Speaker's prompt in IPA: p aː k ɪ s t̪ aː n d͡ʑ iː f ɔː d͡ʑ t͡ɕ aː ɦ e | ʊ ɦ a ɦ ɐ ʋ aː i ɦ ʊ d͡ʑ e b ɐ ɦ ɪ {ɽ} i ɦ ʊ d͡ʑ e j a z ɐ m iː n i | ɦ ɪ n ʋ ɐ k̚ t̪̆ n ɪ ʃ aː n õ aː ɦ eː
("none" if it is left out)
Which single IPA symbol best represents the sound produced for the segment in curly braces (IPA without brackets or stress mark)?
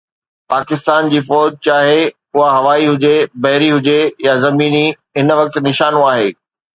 ɾ